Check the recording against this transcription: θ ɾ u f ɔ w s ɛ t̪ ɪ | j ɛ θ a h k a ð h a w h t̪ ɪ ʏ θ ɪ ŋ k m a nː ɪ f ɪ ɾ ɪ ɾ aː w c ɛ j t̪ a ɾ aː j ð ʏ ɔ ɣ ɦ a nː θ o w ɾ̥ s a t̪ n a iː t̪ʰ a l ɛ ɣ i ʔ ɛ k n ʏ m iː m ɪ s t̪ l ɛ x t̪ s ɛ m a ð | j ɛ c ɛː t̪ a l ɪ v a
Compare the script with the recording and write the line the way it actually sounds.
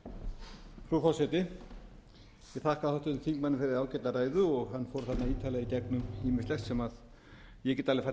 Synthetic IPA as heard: f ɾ u f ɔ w s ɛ t̪ ɪ | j ɛ θ a h k a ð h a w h t̪ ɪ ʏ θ i ŋ k m a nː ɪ f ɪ ɾ ɪ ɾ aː w c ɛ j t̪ a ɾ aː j ð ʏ ɔ ɣ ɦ a nː f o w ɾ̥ θ a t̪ n a iː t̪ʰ a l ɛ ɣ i c ɛ k n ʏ m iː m ɪ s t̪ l ɛ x t̪ s ɛ m a ð | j ɛ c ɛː t̪ a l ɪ f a

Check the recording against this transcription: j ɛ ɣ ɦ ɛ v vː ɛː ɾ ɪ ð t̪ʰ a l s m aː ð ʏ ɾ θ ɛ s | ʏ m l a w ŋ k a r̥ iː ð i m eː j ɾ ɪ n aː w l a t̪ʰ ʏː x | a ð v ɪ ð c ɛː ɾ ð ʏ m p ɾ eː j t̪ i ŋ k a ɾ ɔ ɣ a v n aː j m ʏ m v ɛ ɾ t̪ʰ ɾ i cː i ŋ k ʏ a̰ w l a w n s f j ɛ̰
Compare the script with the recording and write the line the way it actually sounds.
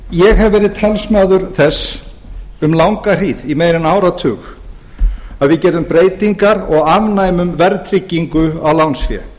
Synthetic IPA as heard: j ɛ ɣ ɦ ɛ v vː ɛː ɾ ɪ ð t̪ʰ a l s m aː ð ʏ ɾ θ ɛ s | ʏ m l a w ŋ k a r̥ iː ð i m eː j ɾ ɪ n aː w ɾ a t̪ʰ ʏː x | a ð v ɪ ð c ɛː ɾ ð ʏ m p ɾ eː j t̪ i ŋ k a ɾ ɔ ɣ a v n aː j m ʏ m v ɛ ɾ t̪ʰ ɾ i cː i ŋ k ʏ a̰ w l a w n s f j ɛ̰

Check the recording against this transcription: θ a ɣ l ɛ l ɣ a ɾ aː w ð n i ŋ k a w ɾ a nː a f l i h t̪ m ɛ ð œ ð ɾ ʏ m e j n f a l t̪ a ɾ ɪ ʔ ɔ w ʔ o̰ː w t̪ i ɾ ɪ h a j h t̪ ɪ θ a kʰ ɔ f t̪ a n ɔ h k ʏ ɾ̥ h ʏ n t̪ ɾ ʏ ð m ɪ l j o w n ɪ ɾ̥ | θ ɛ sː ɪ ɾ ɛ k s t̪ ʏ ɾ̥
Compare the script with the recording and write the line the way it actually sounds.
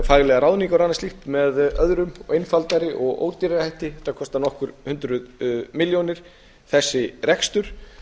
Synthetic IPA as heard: f a ɣ l ɛ ɣ a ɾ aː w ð n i ŋ k a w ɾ a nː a s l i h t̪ m ɛ ð œ ð ɾ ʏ m e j n f a l t̪ a ɾ ɪ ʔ ɔ ɣ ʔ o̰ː w t̪ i ɾ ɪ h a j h t̪ ɪ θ a kʰ ɔ s t̪ a n ɔ h k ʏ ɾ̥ h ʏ n t̪ ɾ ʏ ð m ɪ l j o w n ɪ ɾ̥ | θ ɛ sː ɪ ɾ ɛ k s t̪ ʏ ɾ̥

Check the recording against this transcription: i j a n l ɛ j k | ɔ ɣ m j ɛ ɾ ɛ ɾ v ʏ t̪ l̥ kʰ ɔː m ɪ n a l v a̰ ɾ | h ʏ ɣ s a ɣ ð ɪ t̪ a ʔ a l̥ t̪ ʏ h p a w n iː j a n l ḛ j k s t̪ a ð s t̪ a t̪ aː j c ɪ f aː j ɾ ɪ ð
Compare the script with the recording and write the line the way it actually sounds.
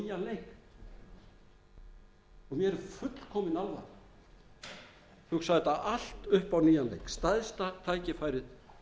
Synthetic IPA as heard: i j a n l e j k | ɔ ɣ m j ɛ ɾ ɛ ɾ f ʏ t̪ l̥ kʰ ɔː m ɪ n a l v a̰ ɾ | h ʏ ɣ s a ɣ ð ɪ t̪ a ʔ a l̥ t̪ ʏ h p a w n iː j a n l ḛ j k s t̪ a ð s t̪ a t̪ʰ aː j c ɪ f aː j ɾ ɪ ð

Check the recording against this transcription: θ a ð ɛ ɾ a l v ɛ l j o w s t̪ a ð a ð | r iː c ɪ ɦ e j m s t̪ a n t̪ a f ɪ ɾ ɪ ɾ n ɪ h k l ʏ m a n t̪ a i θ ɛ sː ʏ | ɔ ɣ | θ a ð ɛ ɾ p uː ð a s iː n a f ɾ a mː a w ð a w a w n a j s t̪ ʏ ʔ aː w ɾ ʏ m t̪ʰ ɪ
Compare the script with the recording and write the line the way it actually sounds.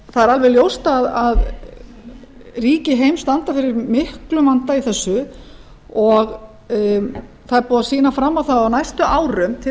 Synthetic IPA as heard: θ a ð ɛ ɾ a l v ɛ l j o w s t̪ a ð a ð | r iː c ɪ ɦ e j m s t̪ a n t̪ a f ɪ ɾ ɪ ɾ m ɪ h k l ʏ m a n t̪ a i θ ɛ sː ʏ | ɔ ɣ | θ a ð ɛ ɾ p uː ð a s iː n a f ɾ a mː a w θ a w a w n a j s t̪ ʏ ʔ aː w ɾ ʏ m t̪ʰ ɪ

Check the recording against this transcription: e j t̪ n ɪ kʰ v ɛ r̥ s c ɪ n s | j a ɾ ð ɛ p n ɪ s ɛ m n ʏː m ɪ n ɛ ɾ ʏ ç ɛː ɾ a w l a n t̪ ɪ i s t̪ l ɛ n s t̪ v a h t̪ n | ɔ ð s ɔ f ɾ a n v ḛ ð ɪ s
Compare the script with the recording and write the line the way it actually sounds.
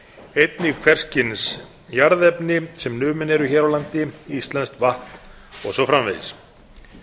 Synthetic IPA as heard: e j t̪ n ɪ kʰ v ɛ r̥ s c ɪ n s | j a ɾ ð ɛ p n ɪ s ɛ m n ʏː m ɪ n ɛ ɾ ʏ ç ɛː ɾ a w l a n t̪ ɪ i s t̪ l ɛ n s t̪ v a h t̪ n | ɔ ɣ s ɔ f ɾ a m v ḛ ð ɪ s

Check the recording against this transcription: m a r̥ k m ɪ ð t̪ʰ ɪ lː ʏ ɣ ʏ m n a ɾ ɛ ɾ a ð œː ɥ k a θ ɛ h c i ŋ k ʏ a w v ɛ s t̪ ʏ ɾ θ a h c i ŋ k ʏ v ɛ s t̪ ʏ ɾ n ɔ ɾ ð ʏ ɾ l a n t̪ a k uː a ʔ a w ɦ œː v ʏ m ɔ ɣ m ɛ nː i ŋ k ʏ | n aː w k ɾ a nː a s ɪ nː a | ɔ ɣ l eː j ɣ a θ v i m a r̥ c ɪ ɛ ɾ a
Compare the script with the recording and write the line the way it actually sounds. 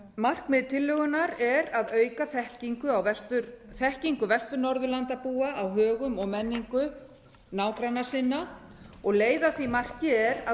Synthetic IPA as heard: m a r̥ k m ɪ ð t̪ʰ ɪ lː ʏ ɣ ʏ n a ɾ ɛ ɾ a ð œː ɥ k a θ ɛ h c i ŋ k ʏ a w v ɛ s t̪ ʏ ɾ θ ɛ h c i ŋ k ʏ v ɛ s t̪ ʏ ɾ n ɔ ɾ ð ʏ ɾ l a n t̪ a p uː a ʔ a w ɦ œː ɣ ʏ m ɔ ɣ m ɛ nː i ŋ k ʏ | n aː w k ɾ a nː a s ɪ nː a | ɔ ɣ l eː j ð a θ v i m a r̥ c ɪ ɛ ɾ a

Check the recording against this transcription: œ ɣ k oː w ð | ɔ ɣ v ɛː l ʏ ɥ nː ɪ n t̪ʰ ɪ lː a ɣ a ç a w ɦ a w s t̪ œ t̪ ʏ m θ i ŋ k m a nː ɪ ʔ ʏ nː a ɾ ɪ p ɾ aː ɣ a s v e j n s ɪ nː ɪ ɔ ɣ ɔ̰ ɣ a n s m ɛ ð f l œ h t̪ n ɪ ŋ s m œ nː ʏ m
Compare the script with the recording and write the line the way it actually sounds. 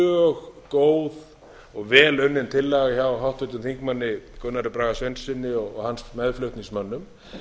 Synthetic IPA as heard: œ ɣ k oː w ð | ɔ ɣ v ɛː l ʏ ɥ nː ɪ n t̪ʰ ɪ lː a ɣ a ç a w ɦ a w h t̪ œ t̪ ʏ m θ i ŋ k m a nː ɪ k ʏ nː a ɾ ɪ p ɾ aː ɣ a s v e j n s ɪ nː ɪ ɔ ɣ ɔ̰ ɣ a n s m ɛ ð f l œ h t̪ n i ŋ s m œ nː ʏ m

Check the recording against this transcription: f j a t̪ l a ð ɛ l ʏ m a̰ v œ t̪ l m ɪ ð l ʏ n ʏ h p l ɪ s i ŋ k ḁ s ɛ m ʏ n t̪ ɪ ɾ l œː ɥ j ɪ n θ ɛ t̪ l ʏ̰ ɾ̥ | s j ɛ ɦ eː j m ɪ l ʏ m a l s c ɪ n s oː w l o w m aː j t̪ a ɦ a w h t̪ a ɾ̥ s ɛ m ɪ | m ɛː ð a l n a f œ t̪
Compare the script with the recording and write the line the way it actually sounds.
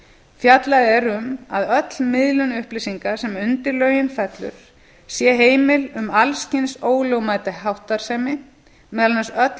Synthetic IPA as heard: f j a t̪ l a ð ɛ ɾ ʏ m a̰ ð œ t̪ l m ɪ ð l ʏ n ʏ h p l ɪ s i ŋ k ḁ s ɛ m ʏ n t̪ ɪ ɾ l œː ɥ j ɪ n f ɛ t̪ l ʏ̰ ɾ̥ | s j ɛ ɦ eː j m ɪ l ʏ m a l s c ɪ n s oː w l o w m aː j t̪ a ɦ a w h t̪ a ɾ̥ s ɛ m ɪ | m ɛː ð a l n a s œ t̪

